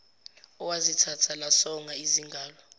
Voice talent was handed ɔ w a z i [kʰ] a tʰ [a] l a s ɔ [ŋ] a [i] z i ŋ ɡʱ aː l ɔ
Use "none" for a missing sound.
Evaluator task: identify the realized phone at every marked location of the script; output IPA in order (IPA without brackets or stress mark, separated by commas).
tʰ, a, ŋ, i